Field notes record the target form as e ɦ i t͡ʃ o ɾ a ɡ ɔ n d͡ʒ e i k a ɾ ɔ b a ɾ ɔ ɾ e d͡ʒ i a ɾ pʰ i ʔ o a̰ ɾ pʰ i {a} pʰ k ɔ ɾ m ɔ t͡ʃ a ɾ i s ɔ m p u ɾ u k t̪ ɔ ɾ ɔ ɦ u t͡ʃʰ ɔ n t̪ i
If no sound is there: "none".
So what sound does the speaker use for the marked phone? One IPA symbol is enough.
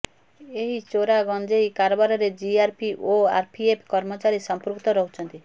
e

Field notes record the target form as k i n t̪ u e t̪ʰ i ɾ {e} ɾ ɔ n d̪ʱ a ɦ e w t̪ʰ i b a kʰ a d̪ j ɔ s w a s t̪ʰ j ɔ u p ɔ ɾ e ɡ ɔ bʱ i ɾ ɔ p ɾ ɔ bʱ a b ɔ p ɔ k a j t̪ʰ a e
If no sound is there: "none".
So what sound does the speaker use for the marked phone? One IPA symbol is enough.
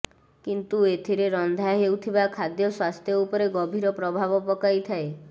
e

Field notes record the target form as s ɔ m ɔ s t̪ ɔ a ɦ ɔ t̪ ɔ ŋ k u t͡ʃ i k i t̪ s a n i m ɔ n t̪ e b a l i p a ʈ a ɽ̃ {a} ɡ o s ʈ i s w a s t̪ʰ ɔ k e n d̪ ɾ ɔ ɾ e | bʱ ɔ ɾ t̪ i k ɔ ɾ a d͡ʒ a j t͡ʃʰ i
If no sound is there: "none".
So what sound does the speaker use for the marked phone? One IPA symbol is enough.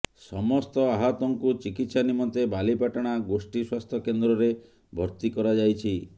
a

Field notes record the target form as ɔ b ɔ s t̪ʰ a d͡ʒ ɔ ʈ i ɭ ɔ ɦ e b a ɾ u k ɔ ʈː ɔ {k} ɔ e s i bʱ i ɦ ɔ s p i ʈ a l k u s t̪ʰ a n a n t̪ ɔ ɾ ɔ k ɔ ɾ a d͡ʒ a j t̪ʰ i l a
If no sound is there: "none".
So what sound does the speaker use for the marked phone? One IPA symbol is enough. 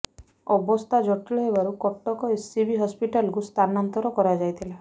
k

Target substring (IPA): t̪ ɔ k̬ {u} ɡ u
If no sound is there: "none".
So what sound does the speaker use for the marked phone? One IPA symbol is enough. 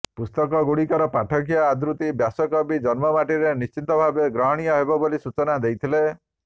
ɔ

